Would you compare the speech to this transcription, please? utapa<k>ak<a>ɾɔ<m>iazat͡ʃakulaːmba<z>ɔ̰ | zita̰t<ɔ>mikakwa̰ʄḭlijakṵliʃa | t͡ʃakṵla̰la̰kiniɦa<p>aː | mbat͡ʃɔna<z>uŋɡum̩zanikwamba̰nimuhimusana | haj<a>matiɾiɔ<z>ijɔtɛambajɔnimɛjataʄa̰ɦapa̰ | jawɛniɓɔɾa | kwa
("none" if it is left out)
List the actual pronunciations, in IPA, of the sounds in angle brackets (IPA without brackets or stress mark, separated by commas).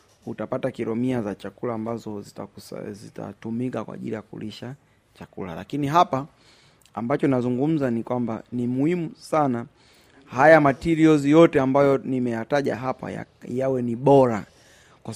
t, i, m, z, u, p, z, a, z